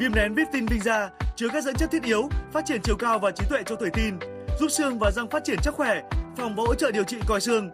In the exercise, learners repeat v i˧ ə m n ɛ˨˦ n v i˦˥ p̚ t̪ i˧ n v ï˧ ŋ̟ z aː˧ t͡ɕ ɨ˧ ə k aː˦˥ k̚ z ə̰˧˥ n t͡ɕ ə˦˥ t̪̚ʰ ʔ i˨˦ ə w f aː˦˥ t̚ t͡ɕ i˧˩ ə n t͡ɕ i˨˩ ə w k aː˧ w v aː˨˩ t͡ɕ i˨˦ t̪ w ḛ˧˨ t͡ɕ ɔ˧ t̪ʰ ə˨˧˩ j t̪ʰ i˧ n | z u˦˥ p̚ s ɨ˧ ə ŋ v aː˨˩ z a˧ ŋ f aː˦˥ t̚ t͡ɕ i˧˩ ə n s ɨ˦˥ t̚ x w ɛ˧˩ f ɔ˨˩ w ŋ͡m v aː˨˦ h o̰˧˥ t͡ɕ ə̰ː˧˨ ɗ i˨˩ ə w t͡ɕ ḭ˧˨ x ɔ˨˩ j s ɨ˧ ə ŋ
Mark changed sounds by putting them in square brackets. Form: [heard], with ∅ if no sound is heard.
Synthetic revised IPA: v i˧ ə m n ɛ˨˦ n v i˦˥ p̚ t̪ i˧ n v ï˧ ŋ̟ z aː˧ t͡ɕ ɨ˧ ə k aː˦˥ k̚ z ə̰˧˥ n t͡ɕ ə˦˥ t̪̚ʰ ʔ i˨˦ ə w f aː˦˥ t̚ t͡ɕ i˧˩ ə n t͡ɕ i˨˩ ə w k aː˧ w v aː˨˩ t͡ɕ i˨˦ t̪ w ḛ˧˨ t͡ɕ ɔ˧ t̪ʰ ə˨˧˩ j [t̪] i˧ n | z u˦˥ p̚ s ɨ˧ ə ŋ v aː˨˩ z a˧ ŋ f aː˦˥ t̚ t͡ɕ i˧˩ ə n s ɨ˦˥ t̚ x w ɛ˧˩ f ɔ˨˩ w ŋ͡m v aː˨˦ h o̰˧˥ t͡ɕ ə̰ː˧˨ ɗ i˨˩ ə w t͡ɕ ḭ˧˨ [k] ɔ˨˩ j s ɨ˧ ə ŋ